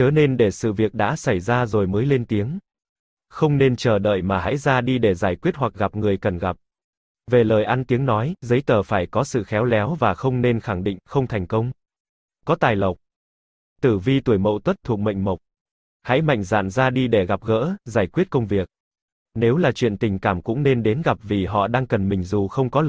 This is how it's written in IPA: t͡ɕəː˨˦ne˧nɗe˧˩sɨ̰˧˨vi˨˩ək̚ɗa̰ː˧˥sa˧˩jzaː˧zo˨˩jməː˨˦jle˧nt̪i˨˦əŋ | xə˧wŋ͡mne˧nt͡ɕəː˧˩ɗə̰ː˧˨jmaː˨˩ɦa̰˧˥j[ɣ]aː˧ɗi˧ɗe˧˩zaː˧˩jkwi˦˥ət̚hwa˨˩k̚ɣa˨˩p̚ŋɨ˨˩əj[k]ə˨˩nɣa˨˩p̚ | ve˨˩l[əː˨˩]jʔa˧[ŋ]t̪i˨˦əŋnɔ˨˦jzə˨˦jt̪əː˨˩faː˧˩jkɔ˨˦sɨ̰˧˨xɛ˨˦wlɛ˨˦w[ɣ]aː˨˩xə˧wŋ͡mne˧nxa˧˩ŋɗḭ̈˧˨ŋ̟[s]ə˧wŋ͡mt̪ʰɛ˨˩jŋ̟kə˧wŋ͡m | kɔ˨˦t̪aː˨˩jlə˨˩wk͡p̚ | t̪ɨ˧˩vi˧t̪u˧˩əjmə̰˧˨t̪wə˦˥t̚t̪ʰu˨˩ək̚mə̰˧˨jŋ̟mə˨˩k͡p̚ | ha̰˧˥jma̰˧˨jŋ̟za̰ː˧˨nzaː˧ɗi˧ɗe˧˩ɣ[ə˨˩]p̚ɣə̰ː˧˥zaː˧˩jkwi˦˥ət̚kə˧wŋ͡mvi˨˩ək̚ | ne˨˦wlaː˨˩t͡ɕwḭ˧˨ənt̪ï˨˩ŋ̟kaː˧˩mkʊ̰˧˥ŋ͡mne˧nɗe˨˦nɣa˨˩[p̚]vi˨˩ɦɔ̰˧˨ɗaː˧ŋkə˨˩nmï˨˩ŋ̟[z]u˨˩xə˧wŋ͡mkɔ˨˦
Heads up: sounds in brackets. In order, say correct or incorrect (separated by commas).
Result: incorrect, correct, correct, incorrect, incorrect, incorrect, incorrect, correct, correct